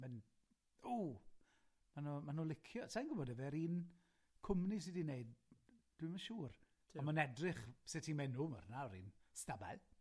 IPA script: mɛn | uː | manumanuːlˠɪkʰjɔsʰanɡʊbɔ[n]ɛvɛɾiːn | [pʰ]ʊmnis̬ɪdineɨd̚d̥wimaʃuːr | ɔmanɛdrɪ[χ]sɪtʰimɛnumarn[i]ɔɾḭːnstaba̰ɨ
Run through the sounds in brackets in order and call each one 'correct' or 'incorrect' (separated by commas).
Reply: incorrect, incorrect, correct, incorrect